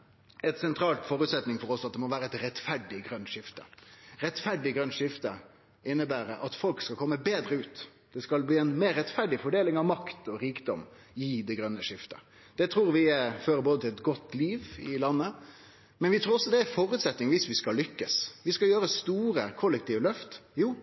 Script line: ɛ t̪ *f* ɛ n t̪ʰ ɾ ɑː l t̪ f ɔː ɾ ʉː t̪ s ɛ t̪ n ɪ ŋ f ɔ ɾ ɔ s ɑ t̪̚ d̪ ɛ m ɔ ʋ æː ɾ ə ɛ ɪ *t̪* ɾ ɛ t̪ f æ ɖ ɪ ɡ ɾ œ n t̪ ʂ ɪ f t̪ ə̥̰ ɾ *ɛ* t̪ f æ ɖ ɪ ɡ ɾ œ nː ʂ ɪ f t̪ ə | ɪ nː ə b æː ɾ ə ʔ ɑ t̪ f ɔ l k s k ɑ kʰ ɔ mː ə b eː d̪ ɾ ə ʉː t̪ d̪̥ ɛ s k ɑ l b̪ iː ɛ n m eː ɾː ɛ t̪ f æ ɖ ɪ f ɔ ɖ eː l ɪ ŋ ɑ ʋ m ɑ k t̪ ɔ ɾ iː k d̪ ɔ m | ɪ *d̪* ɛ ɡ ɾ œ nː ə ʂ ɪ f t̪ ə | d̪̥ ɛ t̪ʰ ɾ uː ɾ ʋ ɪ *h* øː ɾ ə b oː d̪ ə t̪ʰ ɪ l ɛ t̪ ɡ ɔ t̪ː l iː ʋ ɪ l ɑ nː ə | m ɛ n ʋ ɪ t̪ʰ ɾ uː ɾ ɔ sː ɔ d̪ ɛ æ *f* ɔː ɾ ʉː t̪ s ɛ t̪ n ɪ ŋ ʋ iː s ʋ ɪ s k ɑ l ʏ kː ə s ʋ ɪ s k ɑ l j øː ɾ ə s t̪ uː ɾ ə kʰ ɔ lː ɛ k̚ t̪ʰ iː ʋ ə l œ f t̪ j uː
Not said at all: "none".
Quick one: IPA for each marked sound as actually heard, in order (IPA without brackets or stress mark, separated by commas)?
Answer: s, t̪, ɛ, d̪, f, f